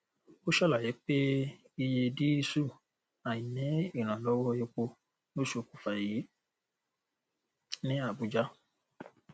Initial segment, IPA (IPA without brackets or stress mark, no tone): o